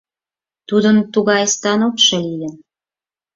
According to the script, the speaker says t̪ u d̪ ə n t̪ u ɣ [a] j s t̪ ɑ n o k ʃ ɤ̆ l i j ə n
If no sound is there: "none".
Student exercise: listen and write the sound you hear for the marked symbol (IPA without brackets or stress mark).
ɑ